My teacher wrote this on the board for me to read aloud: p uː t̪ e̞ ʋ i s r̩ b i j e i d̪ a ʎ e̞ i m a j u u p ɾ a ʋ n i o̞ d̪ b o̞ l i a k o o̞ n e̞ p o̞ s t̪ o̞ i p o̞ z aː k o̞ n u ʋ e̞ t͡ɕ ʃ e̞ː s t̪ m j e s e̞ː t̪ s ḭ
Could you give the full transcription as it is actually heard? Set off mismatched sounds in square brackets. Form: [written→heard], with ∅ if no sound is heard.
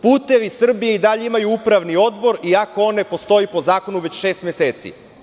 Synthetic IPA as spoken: p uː t̪ e̞ ʋ i s r̩ b i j e i d̪ a ʎ e̞ i m a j u u p ɾ a ʋ n i o̞ d̪ b o̞ [l→ɾ] i a k o o̞ n e̞ p o̞ s t̪ o̞ i p o̞ z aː k o̞ n u ʋ e̞ t͡ɕ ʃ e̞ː s t̪ m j e s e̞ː t̪ s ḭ